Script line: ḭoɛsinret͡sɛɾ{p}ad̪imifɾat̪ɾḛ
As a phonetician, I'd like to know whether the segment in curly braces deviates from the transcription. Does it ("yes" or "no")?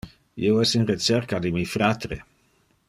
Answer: yes